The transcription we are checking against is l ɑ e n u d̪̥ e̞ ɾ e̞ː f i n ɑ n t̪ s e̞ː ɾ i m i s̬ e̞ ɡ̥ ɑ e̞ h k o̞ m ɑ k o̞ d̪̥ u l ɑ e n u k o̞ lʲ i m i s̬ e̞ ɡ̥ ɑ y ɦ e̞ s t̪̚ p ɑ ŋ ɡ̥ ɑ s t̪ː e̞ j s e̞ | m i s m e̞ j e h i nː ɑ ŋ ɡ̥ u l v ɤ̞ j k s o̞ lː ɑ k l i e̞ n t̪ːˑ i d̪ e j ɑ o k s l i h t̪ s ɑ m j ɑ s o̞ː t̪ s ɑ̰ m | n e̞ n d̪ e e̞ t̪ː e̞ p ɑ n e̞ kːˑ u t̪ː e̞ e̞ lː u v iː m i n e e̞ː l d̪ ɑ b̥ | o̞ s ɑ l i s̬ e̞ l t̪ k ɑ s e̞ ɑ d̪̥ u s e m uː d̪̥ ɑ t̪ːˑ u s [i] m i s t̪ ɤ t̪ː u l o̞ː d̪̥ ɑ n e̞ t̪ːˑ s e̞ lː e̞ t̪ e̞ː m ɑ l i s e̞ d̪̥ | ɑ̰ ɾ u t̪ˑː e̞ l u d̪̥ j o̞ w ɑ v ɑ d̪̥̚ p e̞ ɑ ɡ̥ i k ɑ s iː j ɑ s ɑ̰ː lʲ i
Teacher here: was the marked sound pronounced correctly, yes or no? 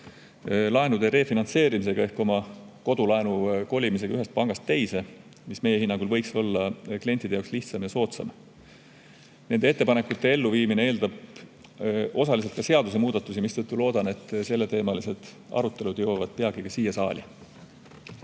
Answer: yes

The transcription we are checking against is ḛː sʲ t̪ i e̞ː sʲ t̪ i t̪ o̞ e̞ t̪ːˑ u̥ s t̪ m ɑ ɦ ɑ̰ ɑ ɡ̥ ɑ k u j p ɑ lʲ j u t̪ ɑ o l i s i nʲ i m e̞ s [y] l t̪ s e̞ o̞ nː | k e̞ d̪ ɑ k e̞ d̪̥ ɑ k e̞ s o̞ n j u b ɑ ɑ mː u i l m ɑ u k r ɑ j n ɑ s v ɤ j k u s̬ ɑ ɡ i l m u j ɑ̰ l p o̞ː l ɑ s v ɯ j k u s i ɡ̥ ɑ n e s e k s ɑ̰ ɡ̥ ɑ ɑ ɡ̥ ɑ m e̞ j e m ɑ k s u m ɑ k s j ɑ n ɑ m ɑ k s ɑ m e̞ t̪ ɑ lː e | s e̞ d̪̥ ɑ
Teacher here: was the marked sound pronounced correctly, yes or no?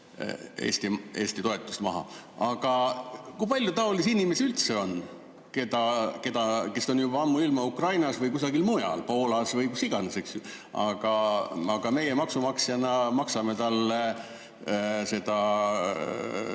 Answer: yes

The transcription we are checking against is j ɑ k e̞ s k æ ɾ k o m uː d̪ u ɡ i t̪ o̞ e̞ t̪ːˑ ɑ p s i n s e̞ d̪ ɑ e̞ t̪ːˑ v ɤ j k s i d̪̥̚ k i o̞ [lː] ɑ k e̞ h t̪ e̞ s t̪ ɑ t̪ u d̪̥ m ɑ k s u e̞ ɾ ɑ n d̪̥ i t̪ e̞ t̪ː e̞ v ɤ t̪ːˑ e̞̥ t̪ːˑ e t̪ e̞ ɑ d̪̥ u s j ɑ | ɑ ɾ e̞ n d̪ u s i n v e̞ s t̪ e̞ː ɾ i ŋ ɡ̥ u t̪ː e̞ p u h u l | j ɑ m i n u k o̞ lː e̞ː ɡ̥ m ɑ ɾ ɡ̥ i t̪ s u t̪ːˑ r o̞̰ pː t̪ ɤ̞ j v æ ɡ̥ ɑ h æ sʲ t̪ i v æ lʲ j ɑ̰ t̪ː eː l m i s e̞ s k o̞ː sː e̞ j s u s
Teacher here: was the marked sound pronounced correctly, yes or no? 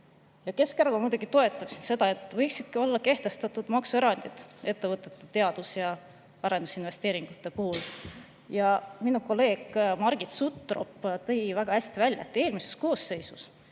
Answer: yes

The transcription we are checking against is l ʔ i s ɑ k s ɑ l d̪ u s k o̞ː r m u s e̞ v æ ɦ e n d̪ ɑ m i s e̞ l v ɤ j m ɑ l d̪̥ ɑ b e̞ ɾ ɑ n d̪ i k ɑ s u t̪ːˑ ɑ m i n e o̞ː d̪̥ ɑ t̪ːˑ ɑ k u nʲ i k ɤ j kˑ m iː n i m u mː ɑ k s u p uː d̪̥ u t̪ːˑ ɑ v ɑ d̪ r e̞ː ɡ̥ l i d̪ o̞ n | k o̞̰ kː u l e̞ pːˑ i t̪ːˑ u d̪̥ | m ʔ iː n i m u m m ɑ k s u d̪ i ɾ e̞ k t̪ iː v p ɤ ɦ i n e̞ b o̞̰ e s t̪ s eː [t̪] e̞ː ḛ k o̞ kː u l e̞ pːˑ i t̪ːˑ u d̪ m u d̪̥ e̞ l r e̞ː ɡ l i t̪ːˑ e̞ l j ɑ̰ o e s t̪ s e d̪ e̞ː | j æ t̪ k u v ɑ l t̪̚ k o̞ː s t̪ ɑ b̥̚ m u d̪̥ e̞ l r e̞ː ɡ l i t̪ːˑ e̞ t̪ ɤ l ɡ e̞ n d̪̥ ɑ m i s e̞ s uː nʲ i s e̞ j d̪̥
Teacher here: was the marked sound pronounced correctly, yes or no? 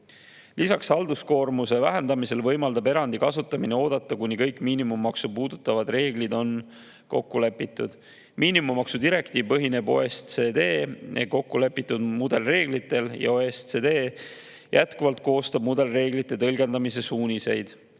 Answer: no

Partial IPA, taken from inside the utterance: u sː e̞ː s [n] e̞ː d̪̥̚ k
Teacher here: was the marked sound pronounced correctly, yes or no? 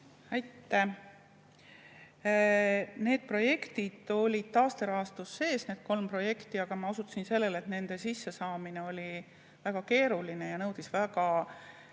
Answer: yes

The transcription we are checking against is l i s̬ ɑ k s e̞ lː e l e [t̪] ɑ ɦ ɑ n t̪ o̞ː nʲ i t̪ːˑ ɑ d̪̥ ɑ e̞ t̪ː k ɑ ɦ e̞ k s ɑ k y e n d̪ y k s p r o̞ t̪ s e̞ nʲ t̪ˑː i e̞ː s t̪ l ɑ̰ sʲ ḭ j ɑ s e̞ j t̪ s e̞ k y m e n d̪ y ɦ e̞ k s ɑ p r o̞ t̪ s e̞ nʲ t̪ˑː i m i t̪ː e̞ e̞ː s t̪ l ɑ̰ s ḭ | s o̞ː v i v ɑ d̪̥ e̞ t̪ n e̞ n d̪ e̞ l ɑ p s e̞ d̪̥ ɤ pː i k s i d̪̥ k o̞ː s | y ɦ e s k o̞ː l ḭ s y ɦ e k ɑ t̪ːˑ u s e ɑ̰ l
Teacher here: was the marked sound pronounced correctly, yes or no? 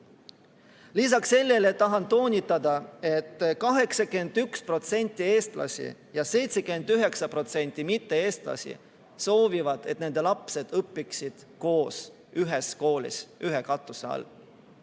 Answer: yes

